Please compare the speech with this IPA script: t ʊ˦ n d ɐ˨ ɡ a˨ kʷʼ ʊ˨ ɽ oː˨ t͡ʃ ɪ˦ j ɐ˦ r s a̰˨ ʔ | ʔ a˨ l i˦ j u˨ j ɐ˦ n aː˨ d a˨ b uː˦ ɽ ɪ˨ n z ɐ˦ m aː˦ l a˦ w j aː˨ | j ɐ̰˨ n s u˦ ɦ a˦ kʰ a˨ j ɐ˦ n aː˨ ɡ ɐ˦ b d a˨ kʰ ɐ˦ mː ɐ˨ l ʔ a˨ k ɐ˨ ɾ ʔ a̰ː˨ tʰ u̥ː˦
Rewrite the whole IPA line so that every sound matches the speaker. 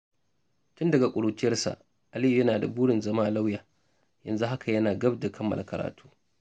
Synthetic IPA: t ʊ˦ n d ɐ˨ ɡ a˨ kʷʼ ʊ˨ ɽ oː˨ t͡ʃ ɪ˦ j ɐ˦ r s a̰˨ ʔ | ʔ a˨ l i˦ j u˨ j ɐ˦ n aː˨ d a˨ b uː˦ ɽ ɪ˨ n z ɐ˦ m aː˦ l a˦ w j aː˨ | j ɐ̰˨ n z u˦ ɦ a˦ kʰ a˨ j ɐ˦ n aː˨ ɡ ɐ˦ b d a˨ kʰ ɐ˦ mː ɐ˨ l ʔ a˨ k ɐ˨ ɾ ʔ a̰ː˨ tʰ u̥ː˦